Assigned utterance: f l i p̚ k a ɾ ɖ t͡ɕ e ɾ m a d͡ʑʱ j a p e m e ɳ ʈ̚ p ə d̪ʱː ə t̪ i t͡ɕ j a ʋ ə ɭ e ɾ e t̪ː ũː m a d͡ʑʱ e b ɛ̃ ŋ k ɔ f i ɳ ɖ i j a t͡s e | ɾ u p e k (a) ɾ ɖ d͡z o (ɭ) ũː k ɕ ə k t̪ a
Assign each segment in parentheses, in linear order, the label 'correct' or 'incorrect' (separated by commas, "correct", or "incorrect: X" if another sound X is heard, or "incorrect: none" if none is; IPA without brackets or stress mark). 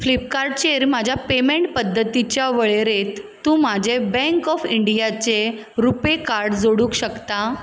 correct, incorrect: ɽ